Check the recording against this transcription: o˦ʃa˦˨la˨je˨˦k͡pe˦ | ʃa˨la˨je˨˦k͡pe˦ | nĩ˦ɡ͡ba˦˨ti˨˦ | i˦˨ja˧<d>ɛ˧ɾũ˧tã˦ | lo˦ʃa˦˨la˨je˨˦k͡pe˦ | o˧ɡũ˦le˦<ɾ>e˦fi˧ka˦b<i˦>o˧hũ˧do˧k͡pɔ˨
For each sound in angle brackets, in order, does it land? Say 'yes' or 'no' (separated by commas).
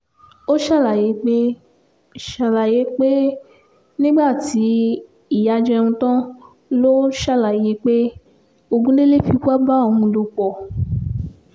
no, no, no